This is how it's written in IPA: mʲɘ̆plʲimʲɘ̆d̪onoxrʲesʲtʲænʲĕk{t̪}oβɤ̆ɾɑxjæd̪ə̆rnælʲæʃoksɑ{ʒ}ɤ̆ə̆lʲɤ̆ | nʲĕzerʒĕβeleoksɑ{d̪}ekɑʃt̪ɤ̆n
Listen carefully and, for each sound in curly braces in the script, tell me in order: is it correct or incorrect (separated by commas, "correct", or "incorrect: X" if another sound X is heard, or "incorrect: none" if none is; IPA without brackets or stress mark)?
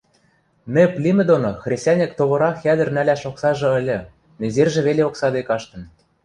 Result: correct, correct, correct